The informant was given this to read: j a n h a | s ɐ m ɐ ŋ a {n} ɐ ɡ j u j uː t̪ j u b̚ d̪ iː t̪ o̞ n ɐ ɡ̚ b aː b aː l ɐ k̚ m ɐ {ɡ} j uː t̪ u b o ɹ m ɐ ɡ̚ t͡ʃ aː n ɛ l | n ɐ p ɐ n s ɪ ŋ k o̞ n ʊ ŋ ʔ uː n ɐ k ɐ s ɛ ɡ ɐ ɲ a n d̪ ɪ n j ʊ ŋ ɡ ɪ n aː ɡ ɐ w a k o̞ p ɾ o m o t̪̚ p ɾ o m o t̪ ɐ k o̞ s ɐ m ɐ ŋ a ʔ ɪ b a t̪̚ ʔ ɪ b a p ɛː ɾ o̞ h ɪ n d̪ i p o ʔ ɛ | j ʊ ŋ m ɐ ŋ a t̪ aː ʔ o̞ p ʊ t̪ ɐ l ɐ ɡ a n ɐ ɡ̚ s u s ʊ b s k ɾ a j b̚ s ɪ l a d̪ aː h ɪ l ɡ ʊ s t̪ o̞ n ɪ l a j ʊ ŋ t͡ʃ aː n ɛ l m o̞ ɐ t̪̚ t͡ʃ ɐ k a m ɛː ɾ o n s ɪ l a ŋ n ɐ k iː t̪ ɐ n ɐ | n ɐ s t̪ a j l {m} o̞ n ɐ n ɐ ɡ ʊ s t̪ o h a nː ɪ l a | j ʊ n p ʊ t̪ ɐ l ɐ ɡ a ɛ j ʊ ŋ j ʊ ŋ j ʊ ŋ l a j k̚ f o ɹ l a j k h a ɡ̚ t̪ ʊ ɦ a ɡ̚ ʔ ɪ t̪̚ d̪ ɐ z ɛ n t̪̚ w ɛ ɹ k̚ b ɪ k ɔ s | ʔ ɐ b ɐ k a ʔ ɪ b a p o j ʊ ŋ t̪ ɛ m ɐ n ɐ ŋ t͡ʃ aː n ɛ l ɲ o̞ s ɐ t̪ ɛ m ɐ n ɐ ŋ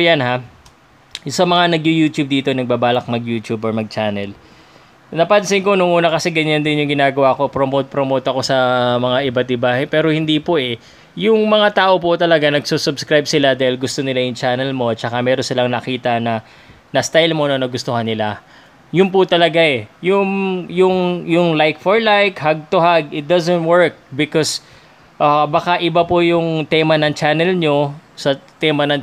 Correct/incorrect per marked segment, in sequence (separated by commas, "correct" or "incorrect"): correct, correct, correct